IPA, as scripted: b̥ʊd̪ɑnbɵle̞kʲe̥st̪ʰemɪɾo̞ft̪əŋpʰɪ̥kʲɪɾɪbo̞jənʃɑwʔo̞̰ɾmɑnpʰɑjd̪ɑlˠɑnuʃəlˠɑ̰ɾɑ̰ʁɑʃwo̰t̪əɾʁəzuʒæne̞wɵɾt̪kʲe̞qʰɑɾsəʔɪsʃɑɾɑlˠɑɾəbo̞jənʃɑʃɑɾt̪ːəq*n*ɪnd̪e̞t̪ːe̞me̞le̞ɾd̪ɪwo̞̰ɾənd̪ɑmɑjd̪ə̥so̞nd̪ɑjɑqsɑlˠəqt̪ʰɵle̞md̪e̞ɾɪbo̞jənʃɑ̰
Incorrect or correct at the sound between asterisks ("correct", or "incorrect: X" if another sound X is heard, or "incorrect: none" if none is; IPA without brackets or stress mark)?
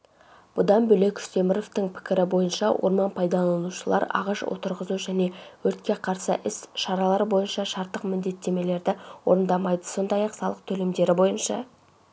incorrect: m